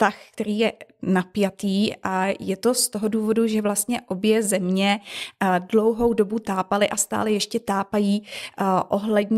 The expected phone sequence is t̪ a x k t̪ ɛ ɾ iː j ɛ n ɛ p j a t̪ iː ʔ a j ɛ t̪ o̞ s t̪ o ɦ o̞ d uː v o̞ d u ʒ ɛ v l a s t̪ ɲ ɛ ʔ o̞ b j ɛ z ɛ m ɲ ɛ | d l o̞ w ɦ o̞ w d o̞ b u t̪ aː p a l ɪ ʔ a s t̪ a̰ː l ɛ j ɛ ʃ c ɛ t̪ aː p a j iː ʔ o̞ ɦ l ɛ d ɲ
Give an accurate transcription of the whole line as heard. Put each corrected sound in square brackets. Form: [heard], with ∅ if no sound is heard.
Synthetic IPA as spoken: t̪ a x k t̪ ɛ ɾ iː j ɛ n [a] p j a t̪ iː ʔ a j ɛ t̪ o̞ s t̪ o ɦ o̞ d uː v o̞ d u ʒ ɛ v l a s t̪ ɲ ɛ ʔ o̞ b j ɛ z ɛ m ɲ ɛ | d l o̞ w ɦ o̞ w d o̞ b u t̪ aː p a l ɪ ʔ a s t̪ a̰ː l ɛ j ɛ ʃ c ɛ t̪ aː p a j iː ʔ o̞ ɦ l ɛ d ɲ